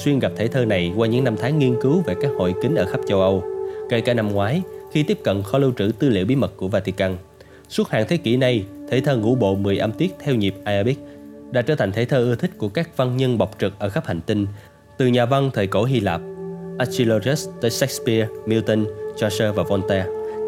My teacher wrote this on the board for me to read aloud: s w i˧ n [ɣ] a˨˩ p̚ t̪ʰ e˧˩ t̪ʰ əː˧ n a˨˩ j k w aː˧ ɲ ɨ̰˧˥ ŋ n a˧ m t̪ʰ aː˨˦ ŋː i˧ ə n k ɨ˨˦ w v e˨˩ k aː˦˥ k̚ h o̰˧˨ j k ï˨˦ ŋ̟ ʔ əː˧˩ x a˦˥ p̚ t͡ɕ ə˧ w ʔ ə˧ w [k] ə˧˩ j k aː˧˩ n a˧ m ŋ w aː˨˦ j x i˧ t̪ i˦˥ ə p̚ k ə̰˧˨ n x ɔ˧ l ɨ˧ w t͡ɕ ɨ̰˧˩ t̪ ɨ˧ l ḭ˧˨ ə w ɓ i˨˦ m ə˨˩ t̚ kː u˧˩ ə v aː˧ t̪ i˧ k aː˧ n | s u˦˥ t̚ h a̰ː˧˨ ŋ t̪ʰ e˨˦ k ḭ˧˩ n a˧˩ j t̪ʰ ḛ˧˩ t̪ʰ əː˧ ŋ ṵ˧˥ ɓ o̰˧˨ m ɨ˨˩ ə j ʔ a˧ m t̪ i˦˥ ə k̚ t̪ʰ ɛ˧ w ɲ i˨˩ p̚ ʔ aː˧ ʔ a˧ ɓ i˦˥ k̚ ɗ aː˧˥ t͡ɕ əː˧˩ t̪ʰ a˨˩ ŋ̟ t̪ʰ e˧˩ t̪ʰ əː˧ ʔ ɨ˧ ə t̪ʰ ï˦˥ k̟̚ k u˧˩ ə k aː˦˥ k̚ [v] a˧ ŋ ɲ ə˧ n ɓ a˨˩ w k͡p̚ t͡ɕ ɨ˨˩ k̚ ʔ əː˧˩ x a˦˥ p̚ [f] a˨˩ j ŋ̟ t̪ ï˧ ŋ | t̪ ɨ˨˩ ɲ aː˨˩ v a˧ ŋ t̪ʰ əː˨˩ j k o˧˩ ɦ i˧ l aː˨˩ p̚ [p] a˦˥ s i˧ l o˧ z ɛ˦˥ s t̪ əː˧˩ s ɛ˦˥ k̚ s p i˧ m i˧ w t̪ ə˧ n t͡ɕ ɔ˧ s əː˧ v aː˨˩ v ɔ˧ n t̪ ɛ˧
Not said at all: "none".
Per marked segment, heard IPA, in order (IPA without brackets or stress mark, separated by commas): ɣ, k, v, h, ʔ